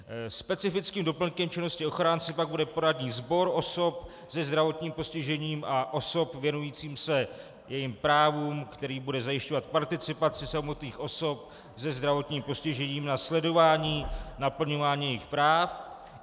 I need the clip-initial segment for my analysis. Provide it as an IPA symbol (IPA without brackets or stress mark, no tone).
s